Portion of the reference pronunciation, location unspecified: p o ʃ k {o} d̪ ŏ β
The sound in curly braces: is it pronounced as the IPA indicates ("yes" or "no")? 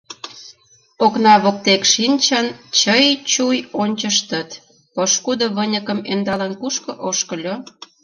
no